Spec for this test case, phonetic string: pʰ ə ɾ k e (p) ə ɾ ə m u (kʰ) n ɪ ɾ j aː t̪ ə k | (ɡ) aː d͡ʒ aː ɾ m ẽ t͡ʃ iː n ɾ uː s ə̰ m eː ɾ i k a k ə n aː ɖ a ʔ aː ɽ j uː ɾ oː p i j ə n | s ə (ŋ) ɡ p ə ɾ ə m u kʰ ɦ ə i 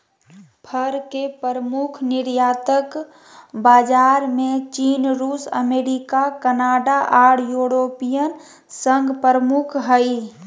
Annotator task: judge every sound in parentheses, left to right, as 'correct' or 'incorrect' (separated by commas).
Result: correct, correct, incorrect, correct